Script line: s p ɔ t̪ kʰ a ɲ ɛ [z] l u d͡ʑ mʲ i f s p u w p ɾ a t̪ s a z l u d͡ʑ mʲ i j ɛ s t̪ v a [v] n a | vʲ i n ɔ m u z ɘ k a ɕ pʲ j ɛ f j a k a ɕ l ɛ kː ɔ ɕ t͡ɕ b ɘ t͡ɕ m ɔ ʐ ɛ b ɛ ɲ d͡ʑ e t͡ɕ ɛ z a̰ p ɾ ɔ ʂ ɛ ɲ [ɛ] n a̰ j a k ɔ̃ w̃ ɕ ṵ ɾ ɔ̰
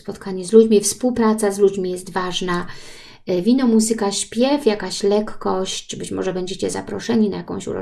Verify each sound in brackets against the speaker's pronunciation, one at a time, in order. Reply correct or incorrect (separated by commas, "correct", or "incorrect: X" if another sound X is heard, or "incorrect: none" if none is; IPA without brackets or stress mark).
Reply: correct, incorrect: ʐ, incorrect: i